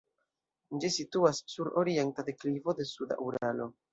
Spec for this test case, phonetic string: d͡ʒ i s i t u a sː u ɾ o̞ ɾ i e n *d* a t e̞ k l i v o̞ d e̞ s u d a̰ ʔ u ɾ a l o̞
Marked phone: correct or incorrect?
incorrect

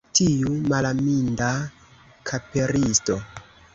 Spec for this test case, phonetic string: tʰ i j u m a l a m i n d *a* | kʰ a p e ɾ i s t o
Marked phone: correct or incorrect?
correct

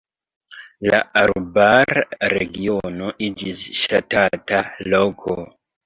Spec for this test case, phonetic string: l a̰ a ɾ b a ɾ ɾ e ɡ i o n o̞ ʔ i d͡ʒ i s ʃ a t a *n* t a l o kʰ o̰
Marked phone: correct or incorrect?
incorrect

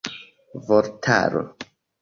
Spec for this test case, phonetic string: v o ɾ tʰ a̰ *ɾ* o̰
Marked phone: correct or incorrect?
correct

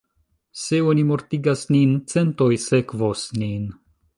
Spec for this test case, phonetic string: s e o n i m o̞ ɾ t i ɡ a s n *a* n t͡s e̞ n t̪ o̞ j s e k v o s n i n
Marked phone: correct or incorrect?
incorrect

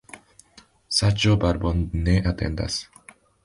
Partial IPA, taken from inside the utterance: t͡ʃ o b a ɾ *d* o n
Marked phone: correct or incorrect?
incorrect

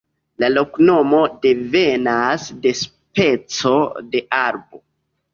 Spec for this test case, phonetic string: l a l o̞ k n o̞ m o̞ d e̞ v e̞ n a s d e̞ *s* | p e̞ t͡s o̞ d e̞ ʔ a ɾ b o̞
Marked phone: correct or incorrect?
correct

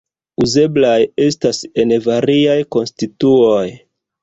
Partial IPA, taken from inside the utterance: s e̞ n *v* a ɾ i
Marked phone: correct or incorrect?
correct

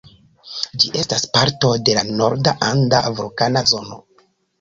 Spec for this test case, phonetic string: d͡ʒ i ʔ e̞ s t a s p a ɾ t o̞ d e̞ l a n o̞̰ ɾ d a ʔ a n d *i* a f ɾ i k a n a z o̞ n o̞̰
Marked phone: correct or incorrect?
incorrect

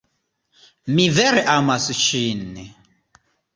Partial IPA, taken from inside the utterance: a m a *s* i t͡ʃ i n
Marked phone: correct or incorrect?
correct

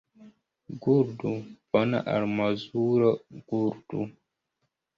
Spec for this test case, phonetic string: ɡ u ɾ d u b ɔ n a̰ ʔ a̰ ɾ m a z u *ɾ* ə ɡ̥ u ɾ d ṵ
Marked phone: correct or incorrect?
correct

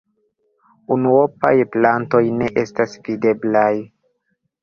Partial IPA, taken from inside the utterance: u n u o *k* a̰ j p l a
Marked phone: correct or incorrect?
incorrect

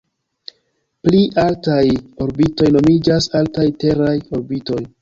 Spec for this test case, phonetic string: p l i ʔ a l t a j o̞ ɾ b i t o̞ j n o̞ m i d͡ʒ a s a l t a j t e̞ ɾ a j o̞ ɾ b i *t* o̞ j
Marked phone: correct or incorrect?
correct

